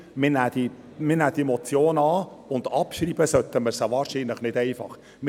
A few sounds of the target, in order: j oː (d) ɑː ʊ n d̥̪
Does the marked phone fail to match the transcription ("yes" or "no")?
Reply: yes